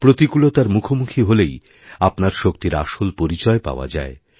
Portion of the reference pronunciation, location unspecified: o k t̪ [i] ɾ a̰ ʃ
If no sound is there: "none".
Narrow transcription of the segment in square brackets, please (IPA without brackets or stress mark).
i